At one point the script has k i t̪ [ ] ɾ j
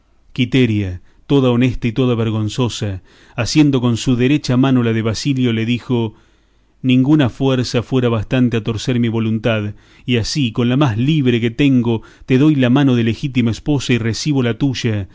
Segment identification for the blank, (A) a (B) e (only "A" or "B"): B